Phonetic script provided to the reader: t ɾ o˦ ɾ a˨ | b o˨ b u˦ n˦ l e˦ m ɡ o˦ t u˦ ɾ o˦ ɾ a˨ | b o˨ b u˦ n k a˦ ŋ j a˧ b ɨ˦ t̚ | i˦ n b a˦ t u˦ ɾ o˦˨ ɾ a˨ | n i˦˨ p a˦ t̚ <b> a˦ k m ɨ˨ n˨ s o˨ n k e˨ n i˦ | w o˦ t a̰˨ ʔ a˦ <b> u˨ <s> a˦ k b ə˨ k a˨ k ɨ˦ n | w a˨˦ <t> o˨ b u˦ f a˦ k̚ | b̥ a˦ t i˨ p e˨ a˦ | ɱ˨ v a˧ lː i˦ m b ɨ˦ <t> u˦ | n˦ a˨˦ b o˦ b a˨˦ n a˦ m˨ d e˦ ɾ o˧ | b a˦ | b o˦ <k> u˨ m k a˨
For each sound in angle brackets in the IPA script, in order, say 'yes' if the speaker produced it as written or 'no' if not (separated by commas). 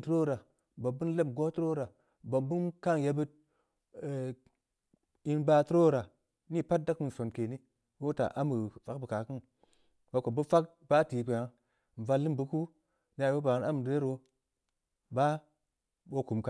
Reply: no, no, no, no, no, yes